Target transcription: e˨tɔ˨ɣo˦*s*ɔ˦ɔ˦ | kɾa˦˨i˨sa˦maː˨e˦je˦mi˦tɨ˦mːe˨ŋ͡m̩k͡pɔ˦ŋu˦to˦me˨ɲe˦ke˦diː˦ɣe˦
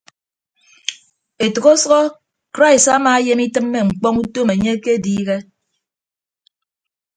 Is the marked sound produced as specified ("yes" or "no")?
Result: yes